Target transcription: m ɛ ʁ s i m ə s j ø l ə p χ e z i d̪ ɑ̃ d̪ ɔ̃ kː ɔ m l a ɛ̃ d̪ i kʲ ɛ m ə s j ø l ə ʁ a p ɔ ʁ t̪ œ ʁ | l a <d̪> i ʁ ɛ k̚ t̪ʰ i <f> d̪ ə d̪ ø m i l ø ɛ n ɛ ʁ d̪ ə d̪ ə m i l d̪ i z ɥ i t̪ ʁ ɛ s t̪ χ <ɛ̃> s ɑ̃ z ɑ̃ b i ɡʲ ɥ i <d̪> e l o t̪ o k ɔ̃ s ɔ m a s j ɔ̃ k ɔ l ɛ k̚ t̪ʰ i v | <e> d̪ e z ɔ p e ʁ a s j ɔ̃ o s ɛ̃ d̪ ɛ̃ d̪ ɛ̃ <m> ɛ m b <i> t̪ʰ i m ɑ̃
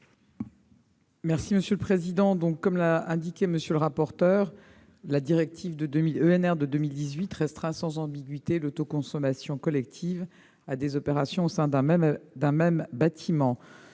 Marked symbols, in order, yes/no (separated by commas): yes, no, yes, no, no, yes, no